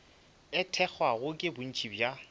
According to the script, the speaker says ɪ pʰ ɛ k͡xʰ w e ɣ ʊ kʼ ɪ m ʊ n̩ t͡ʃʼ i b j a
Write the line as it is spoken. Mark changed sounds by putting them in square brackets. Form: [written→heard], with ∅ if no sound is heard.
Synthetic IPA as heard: ɪ [pʰ→tʰ] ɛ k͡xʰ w [e→a] ɣ ʊ kʼ ɪ [m→b] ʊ n̩ t͡ʃʼ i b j a